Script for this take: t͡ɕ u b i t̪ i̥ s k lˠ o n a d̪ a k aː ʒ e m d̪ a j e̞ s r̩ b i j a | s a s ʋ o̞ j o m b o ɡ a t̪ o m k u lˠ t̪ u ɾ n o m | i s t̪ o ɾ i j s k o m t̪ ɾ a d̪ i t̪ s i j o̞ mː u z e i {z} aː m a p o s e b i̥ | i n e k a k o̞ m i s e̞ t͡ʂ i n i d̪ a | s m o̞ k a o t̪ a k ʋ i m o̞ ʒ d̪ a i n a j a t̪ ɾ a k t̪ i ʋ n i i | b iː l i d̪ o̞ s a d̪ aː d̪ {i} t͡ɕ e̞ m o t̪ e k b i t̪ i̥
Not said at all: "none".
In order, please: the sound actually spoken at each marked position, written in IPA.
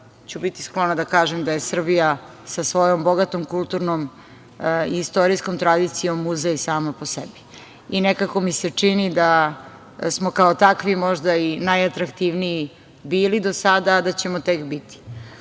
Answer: s, a

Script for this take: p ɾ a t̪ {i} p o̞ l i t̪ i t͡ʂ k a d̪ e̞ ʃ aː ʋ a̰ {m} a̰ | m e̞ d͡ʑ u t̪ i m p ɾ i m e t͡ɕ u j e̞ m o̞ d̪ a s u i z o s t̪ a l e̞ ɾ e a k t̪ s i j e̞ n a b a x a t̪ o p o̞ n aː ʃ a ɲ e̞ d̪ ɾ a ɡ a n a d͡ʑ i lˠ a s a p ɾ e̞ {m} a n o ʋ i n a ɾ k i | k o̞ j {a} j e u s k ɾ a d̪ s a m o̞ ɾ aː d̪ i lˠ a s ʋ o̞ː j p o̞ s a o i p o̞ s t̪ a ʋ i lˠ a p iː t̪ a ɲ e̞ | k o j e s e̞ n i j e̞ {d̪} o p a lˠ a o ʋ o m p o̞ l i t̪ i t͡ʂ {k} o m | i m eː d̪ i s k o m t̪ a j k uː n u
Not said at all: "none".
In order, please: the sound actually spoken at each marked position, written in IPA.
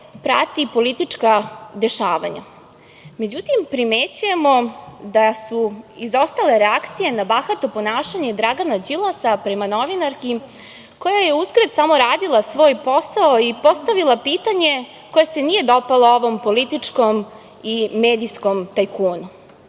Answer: i, ɲ, m, a, d̪, k

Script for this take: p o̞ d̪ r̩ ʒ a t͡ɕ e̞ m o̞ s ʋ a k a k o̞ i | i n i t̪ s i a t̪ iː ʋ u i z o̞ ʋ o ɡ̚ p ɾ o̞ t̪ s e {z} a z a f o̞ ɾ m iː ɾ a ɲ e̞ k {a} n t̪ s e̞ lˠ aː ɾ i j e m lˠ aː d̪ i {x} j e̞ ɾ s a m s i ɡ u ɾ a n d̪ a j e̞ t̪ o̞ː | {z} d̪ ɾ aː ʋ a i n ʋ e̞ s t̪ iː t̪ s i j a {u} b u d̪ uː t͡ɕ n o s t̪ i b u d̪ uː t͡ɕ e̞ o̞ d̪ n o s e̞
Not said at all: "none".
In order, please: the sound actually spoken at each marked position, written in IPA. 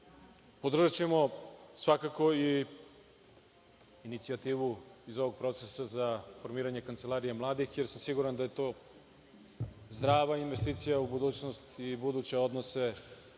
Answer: s, a, x, z, u

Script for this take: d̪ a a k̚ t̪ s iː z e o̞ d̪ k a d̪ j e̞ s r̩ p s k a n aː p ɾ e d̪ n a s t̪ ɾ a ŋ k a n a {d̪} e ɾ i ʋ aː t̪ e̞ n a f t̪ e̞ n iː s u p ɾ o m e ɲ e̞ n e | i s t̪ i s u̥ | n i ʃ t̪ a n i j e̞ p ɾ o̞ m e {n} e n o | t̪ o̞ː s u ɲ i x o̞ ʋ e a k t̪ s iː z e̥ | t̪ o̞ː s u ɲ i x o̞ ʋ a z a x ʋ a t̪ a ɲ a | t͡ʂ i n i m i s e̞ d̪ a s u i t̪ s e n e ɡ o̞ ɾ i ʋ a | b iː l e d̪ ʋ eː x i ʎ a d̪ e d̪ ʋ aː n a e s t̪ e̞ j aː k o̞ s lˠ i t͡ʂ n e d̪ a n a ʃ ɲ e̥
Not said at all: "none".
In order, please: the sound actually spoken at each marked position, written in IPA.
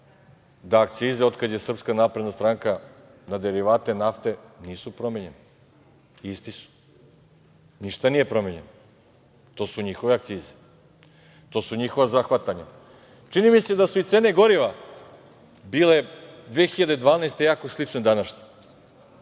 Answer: d̪, ɲ

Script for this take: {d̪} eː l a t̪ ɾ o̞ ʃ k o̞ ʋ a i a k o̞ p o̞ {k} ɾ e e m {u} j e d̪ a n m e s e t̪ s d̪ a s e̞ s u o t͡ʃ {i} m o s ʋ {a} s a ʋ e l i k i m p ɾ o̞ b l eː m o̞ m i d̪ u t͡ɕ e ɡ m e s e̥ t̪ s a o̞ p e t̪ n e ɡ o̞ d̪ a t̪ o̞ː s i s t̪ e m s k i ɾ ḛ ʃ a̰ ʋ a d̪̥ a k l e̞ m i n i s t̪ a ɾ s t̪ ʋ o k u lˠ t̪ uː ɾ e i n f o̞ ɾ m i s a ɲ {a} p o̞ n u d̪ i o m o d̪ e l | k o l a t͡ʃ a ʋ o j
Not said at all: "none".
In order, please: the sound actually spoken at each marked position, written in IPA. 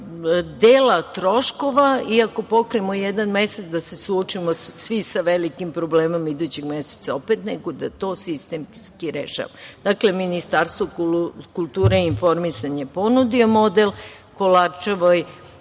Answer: d̪, k, o, i, i, e

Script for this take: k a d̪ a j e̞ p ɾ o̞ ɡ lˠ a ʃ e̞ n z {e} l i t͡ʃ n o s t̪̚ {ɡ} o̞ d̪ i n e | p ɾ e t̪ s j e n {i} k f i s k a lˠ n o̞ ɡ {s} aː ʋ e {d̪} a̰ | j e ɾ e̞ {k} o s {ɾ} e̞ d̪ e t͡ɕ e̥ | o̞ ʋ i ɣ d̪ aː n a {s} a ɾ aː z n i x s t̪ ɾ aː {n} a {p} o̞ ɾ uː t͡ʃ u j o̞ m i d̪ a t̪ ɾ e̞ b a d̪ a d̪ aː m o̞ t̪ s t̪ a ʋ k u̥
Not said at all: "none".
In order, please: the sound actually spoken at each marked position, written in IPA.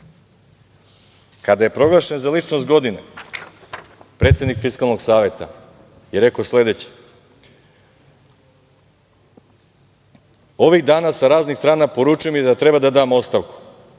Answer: a, ɡ, i, s, t̪, k, l, s, n, p

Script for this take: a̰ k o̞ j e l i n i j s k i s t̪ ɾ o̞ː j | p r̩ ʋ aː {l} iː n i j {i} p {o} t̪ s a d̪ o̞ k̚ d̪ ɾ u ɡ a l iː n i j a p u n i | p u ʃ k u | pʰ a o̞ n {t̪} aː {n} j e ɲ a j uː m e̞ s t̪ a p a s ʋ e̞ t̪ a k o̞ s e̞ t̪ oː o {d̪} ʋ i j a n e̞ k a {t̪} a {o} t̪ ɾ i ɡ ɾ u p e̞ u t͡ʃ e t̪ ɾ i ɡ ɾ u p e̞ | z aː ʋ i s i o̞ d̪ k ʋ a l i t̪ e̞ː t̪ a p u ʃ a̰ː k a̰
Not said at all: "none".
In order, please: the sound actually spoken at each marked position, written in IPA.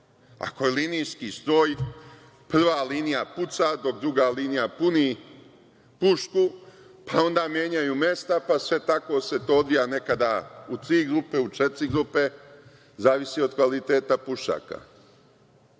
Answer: l, a, u, d̪, m, d̪, d̪, u

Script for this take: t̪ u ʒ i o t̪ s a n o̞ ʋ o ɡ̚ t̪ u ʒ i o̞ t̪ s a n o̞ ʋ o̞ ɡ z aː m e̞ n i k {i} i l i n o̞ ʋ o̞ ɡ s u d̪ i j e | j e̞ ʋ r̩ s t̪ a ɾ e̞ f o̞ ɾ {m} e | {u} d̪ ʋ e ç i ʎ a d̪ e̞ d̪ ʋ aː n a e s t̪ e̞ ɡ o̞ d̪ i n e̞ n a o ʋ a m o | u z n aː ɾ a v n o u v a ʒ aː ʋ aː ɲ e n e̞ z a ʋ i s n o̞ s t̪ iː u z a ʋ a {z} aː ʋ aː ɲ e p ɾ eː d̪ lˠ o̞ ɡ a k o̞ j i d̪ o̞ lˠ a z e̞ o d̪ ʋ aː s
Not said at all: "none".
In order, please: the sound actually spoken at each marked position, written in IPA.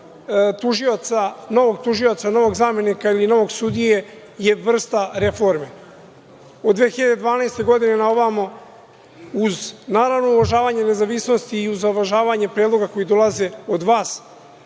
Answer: a, m, o, ʒ

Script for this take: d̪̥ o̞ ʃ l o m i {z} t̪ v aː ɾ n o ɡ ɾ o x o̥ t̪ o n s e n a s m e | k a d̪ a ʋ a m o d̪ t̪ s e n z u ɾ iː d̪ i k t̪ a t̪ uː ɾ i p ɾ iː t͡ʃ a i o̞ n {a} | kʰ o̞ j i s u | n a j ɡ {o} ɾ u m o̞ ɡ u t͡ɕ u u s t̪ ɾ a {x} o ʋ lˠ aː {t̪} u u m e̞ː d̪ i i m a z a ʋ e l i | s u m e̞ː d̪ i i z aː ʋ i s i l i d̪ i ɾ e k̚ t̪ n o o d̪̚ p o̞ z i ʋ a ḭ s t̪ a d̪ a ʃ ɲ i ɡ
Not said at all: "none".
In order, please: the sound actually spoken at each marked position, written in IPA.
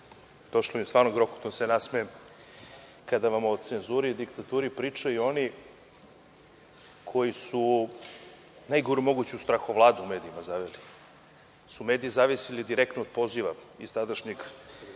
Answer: s, i, o, x, d̪

